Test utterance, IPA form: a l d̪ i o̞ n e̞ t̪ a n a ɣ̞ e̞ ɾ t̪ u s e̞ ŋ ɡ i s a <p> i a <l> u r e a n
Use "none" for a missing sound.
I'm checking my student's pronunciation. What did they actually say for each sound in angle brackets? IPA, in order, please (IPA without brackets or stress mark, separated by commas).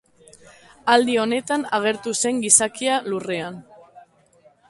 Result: k, l